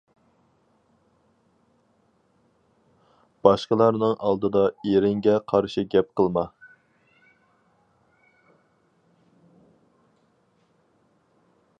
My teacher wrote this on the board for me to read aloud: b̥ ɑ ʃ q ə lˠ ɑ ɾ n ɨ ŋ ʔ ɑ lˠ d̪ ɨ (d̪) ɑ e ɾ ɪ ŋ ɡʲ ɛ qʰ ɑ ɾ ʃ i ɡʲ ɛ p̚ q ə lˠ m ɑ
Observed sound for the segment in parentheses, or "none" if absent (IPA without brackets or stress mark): d̪